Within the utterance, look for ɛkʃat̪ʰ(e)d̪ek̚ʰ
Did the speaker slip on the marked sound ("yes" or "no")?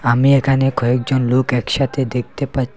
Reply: no